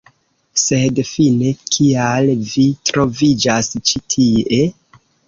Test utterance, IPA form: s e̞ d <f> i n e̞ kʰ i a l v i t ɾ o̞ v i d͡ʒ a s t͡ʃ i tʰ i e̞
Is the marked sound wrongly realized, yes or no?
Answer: no